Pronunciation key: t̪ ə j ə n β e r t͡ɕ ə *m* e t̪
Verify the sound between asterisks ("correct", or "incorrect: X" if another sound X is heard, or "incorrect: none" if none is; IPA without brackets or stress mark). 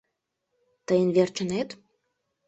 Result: incorrect: n